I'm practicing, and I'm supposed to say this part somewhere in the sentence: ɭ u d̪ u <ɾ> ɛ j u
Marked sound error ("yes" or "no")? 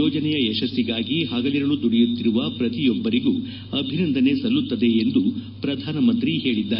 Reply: yes